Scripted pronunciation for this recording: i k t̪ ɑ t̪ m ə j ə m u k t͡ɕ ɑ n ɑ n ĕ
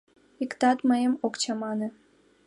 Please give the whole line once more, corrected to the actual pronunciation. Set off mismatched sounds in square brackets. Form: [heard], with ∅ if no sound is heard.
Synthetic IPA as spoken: i k t̪ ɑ t̪ m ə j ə m [o] k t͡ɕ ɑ [m] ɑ n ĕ